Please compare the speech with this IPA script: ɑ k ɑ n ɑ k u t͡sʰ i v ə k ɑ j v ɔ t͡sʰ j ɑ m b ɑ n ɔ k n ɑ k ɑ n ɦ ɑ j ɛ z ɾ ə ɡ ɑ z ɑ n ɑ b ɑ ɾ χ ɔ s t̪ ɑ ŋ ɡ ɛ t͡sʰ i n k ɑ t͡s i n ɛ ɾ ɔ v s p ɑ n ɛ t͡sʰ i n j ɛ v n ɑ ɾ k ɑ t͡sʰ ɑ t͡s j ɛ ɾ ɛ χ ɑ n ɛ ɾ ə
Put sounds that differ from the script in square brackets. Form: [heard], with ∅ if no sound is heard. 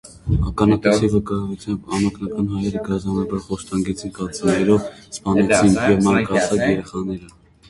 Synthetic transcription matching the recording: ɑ k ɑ n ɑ k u t͡sʰ i v ə k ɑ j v [u] t͡sʰ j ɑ m b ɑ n ɔ k n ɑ k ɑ n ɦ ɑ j ɛ [∅] ɾ ə ɡ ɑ z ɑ n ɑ b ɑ ɾ χ ɔ s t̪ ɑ ŋ ɡ ɛ t͡sʰ i n k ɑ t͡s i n ɛ ɾ ɔ v s p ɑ n ɛ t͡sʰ i n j ɛ v [m] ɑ ɾ k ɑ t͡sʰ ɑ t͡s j ɛ ɾ ɛ χ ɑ n ɛ ɾ ə